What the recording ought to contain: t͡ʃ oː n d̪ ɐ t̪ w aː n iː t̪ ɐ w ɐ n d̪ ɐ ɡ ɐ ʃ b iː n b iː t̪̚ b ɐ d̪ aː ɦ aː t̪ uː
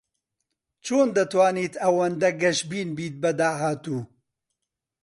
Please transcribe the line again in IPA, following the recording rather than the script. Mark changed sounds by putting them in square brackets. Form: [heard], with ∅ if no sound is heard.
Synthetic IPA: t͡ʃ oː n d̪ ɐ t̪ w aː n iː t̪ ɐ w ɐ n d̪ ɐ ɡ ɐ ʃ b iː n b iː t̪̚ b ɐ d̪ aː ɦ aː t̪ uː